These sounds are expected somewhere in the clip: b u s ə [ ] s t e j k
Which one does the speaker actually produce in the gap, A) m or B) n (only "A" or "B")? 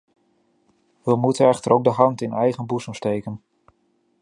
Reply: A